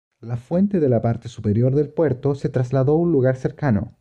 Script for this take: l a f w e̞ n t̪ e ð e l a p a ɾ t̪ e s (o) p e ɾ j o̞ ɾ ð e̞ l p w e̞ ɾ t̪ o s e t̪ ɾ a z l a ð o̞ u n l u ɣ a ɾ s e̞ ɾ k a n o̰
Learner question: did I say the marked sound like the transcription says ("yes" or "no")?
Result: no